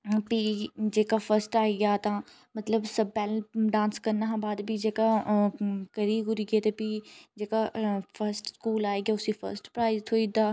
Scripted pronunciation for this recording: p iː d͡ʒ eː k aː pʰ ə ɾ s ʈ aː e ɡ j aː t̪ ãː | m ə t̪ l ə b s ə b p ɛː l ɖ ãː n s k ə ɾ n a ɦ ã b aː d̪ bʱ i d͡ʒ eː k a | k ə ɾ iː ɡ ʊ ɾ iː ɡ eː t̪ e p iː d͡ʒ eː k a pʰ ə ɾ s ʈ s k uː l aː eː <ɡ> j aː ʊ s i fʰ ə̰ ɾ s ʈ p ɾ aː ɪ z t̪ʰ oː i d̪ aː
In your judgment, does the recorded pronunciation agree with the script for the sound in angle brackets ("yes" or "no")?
yes